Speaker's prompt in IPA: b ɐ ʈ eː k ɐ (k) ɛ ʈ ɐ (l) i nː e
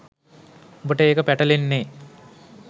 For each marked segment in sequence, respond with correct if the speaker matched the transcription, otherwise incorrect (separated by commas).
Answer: incorrect, correct